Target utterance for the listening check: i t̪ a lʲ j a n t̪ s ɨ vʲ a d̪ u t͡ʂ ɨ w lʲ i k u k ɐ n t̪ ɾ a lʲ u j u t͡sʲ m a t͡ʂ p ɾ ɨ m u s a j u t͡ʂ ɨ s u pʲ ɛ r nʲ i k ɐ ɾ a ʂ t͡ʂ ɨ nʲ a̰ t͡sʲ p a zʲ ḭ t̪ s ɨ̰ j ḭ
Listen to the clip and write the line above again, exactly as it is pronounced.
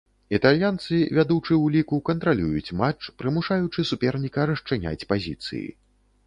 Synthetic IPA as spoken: i t̪ a lʲ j a n t̪ s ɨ vʲ a d̪ u t͡ʂ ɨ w lʲ i k u k ɐ n t̪ ɾ a lʲ u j u t͡sʲ m a t͡ʂ p ɾ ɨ m u ʂ a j u t͡ʂ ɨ s u pʲ ɛ r nʲ i k ɐ ɾ ɐ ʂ t͡ʂ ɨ nʲ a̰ t͡sʲ p a zʲ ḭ t̪ s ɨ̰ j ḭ